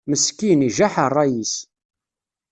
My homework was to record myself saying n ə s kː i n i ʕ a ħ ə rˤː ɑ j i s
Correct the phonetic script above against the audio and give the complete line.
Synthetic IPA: m ə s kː i n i ʒ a ħ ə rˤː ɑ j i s